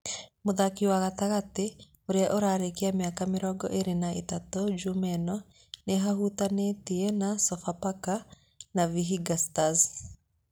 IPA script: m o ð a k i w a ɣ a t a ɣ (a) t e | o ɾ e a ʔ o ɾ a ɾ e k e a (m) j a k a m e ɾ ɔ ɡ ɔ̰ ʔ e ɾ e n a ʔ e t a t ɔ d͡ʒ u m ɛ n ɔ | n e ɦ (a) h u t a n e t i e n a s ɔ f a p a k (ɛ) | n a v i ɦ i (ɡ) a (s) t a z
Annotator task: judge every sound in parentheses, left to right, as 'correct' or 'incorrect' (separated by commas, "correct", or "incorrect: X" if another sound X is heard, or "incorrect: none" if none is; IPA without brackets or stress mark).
correct, correct, correct, incorrect: a, correct, correct